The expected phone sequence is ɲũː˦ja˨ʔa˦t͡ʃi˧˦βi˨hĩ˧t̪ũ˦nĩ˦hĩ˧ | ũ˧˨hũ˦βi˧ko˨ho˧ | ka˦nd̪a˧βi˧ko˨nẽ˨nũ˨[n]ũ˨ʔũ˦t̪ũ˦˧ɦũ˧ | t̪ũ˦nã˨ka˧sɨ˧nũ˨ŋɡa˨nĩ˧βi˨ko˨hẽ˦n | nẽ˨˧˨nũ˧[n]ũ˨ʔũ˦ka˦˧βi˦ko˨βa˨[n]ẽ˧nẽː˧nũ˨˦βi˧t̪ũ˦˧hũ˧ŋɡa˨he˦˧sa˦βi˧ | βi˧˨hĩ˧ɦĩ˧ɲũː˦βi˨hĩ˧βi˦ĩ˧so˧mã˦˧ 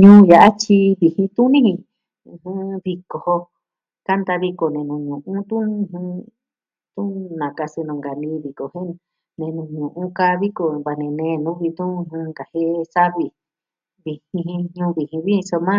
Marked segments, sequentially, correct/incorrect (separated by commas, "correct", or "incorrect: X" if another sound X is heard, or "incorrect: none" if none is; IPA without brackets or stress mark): incorrect: ɲ, incorrect: ɲ, correct